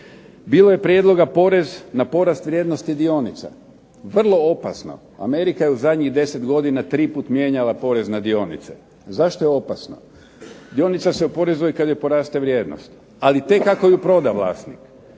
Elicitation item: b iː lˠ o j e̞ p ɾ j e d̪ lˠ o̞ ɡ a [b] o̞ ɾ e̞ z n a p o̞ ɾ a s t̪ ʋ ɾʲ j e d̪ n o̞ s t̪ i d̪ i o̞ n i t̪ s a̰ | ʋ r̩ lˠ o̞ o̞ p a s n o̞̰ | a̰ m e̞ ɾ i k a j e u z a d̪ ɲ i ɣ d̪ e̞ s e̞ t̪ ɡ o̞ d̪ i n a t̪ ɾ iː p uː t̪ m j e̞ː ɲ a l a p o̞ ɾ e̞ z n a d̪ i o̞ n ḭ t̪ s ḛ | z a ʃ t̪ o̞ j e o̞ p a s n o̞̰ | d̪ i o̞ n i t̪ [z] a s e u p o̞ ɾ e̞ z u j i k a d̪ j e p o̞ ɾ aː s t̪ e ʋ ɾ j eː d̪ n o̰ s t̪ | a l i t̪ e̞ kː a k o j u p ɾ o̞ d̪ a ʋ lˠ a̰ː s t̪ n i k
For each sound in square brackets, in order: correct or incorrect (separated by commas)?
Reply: incorrect, incorrect